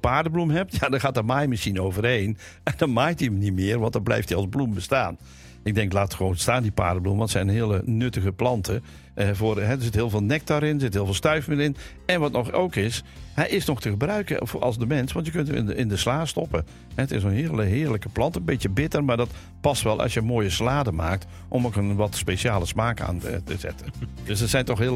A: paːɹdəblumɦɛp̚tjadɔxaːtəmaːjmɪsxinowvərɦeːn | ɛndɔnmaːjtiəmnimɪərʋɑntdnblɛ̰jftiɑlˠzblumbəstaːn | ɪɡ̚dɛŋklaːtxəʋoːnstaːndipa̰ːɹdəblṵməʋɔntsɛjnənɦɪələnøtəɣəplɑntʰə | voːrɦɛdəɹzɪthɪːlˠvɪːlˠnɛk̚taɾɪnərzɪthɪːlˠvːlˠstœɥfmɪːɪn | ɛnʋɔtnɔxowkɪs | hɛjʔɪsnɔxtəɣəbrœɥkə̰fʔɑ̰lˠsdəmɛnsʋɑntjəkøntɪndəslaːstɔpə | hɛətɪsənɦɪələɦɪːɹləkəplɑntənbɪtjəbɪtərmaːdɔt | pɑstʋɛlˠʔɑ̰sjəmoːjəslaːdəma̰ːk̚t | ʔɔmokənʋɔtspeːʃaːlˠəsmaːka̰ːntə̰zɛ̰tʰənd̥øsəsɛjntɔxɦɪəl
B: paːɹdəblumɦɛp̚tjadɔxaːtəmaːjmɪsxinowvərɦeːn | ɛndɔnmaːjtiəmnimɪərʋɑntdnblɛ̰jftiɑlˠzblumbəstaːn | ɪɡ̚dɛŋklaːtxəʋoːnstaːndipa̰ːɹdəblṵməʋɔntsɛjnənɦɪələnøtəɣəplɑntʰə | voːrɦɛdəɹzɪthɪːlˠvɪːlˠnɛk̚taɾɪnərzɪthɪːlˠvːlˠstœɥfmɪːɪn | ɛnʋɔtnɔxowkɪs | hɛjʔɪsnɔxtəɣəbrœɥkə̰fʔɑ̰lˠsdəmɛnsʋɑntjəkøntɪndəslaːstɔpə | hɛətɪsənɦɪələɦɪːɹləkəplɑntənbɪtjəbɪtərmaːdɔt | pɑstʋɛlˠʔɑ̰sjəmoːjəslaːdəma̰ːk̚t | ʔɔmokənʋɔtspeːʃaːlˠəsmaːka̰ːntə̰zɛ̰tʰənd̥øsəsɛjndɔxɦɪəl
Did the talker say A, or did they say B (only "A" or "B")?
A